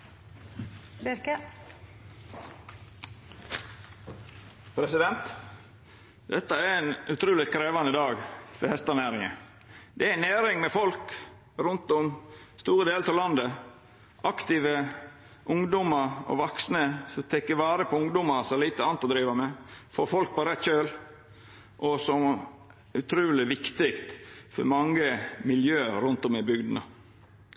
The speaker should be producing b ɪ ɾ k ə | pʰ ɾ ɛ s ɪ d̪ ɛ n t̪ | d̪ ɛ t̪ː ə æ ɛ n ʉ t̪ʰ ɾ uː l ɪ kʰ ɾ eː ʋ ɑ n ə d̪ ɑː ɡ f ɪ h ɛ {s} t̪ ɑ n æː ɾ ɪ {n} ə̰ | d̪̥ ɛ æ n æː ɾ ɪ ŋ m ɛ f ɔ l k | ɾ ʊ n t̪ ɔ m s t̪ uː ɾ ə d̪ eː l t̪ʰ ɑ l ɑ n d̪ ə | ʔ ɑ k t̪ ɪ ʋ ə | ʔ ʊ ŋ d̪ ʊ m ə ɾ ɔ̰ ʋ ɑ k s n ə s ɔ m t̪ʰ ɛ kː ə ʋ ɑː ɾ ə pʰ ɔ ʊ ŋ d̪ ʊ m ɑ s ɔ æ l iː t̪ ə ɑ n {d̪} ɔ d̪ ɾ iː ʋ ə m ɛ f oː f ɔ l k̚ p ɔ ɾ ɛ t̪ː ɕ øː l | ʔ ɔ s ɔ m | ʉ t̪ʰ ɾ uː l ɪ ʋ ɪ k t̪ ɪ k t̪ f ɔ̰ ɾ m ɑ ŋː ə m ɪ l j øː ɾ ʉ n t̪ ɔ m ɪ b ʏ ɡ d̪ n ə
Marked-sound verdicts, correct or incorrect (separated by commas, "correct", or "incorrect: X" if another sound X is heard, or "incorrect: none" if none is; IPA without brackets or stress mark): correct, incorrect: ŋ, incorrect: t̪